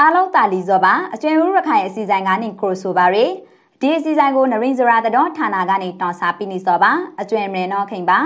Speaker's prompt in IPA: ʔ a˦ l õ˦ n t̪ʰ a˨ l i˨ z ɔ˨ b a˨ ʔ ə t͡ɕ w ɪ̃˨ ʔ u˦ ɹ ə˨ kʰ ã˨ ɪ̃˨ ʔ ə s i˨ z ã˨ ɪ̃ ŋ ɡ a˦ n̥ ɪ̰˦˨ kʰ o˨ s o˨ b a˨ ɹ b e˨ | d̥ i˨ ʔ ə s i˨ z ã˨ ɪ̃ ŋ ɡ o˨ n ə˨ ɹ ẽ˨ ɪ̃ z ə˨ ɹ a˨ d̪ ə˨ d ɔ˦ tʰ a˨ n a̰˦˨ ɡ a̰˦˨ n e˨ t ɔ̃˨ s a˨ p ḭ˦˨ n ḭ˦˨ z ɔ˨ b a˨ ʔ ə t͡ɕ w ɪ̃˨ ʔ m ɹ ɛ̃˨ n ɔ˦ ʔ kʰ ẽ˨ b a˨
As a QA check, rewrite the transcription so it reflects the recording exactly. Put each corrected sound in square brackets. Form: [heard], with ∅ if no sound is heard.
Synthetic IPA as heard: ʔ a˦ l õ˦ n [t̪] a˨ l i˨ z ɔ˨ b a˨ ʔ ə t͡ɕ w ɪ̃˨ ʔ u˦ ɹ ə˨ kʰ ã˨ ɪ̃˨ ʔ ə s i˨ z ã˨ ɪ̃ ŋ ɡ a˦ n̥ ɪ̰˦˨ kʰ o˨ s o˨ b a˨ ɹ [w] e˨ | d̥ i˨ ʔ ə s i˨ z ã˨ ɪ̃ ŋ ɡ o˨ n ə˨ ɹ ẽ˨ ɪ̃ z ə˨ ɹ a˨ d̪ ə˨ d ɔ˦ tʰ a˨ n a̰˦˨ ɡ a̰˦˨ n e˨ t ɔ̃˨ s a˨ p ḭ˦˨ n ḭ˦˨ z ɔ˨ b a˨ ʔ ə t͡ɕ w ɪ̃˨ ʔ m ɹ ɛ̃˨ n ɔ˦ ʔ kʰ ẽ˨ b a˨